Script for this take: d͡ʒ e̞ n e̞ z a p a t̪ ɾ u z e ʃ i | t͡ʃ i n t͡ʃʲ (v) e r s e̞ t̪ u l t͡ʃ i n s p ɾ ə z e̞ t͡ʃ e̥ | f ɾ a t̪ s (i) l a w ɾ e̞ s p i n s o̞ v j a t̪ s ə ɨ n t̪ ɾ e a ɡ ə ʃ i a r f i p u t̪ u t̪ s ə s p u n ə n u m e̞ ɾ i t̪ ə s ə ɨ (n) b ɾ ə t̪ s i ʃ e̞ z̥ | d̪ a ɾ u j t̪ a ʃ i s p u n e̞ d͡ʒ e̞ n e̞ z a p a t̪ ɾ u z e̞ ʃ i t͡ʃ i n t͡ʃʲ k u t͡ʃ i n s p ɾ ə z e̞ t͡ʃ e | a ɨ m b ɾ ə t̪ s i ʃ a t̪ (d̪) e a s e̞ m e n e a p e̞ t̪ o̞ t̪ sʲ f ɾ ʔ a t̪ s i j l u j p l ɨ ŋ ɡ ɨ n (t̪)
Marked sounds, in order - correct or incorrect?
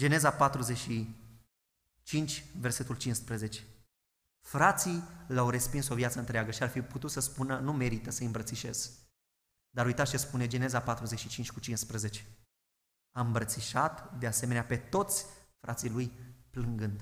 correct, correct, incorrect: m, correct, incorrect: d̪

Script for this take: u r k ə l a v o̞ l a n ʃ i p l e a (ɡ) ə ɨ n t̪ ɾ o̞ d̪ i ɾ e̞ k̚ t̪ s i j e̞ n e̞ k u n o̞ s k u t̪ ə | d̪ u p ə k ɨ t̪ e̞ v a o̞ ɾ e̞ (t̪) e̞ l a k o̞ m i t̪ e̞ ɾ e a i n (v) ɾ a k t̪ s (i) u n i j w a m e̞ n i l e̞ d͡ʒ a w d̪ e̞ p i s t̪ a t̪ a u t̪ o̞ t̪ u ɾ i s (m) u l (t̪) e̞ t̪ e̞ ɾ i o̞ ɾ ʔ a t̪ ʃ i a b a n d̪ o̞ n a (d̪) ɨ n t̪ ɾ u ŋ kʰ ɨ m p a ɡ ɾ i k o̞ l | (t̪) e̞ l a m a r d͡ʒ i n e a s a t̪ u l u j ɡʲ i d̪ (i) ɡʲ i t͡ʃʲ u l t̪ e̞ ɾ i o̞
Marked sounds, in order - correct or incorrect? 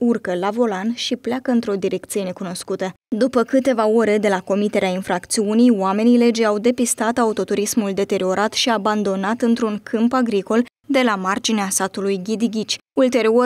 incorrect: k, incorrect: d̪, incorrect: f, correct, correct, incorrect: d̪, incorrect: t̪, incorrect: d̪, correct

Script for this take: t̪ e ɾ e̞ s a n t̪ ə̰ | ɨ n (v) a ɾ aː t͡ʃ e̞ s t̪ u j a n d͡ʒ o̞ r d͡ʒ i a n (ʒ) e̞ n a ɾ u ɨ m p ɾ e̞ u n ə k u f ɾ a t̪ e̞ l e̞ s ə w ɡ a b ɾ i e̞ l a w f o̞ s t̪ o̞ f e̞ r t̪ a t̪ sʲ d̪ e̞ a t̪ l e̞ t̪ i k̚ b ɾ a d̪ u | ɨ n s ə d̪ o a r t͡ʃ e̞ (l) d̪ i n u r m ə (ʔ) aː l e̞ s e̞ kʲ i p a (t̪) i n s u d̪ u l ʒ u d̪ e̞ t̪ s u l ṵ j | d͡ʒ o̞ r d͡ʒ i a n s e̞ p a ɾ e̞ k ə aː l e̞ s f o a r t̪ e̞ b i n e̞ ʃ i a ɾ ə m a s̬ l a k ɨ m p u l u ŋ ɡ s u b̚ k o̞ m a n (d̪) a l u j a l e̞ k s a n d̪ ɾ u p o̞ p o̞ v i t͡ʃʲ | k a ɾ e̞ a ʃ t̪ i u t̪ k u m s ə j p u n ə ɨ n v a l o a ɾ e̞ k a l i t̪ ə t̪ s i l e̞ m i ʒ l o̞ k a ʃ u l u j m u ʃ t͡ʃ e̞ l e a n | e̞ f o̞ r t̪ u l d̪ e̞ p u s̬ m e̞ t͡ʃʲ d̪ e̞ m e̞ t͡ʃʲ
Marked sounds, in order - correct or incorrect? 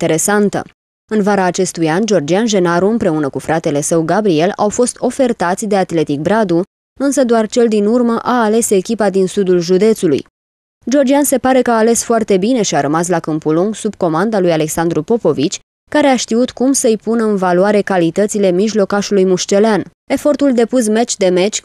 correct, correct, correct, correct, incorrect: d̪, correct

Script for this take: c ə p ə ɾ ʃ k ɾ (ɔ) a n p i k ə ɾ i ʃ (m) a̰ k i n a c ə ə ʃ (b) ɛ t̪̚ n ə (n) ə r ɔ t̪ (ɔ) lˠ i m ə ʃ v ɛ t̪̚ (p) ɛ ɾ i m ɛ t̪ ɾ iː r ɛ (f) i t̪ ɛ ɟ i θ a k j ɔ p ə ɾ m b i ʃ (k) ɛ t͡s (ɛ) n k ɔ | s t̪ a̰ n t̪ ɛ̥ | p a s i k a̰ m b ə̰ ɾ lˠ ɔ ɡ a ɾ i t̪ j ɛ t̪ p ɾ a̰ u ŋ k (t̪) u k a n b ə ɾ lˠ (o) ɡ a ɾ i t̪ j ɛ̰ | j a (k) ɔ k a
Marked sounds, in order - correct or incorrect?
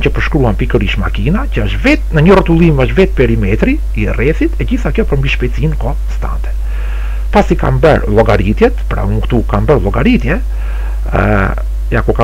incorrect: u, correct, incorrect: v, incorrect: ɲ, incorrect: u, correct, incorrect: θ, incorrect: p, incorrect: i, correct, incorrect: ɔ, correct

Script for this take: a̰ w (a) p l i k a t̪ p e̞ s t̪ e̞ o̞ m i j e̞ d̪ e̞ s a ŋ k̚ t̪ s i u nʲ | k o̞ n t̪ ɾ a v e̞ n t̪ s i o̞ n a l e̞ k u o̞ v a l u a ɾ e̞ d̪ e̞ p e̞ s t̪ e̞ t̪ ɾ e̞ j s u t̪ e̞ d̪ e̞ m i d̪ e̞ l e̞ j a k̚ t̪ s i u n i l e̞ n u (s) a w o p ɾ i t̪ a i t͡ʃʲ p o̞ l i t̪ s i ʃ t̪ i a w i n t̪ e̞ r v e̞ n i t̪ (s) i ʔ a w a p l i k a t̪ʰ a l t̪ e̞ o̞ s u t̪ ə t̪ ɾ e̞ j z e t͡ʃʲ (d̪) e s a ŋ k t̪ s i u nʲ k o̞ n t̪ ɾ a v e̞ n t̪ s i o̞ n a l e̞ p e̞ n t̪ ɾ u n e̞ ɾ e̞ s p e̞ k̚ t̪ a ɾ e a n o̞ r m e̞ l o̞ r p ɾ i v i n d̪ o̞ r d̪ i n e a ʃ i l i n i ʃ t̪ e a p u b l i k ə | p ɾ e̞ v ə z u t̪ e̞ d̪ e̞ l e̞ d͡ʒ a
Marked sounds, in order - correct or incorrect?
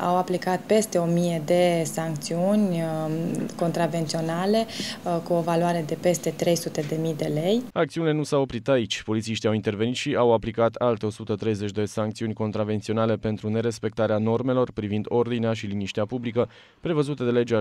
correct, correct, incorrect: ʃ, correct

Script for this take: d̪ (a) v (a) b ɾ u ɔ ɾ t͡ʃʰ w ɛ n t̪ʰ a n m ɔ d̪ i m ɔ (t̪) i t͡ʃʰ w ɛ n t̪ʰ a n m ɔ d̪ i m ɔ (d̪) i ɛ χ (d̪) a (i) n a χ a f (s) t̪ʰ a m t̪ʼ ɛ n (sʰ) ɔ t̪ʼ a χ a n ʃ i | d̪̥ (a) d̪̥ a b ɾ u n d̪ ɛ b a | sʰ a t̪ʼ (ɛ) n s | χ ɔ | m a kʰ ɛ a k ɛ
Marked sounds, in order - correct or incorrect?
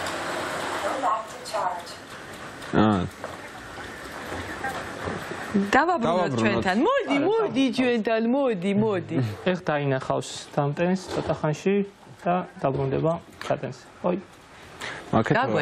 correct, correct, incorrect: d̪, correct, correct, correct, correct, correct, correct, correct

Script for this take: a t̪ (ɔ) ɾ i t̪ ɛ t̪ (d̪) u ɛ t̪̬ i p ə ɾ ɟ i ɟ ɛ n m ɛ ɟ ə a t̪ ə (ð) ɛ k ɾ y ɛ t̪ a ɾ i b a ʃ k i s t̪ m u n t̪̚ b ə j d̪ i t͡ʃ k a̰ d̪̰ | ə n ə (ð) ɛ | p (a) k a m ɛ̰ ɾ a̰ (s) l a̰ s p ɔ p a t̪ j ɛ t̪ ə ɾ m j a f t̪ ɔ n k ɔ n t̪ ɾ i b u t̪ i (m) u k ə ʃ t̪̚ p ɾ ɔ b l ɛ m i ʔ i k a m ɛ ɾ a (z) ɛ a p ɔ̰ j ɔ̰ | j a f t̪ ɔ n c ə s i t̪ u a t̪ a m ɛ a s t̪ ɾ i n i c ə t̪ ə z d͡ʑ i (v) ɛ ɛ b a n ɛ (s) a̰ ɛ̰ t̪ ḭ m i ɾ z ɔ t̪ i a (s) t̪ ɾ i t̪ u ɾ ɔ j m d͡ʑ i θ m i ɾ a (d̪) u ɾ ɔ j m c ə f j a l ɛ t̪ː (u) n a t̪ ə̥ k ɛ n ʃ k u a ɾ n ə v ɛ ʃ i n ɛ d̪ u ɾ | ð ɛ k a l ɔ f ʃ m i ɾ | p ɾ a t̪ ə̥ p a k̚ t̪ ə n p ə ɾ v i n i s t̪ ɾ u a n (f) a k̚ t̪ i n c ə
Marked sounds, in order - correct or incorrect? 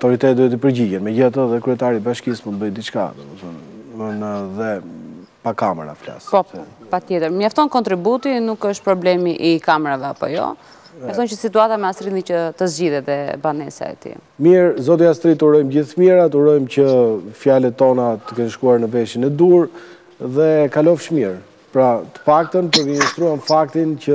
correct, correct, correct, correct, correct, incorrect: f, incorrect: n, incorrect: v, incorrect: ð, correct, correct, incorrect: t̪, incorrect: ɔ, correct

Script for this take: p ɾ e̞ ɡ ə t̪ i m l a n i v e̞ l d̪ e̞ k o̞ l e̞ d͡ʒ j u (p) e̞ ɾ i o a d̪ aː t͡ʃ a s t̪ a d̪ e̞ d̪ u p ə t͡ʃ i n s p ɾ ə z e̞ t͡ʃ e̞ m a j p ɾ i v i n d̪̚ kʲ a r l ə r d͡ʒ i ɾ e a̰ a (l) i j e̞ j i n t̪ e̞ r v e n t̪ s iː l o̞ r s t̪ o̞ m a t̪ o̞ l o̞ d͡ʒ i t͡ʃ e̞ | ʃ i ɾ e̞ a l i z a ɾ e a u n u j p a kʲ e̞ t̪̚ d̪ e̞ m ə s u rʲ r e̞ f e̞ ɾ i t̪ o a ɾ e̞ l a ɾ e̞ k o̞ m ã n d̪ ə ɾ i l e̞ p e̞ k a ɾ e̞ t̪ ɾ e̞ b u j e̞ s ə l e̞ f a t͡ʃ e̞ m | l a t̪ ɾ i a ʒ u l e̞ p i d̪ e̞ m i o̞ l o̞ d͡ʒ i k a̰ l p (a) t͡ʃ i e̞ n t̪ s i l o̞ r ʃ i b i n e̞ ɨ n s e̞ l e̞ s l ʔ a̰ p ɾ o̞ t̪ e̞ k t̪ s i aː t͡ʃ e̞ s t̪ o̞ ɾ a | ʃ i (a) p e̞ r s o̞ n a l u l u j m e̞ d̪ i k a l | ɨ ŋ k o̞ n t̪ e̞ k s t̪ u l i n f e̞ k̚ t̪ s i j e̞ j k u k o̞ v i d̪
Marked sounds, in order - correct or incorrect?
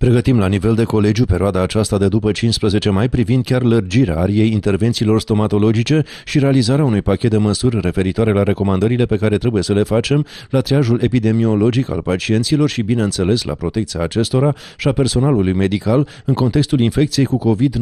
correct, incorrect: ɾ, correct, correct

